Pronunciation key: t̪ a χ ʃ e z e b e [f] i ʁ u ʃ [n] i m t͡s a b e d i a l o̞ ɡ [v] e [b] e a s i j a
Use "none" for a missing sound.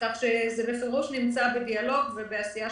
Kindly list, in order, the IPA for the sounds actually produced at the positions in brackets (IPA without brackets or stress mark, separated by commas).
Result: f, n, v, b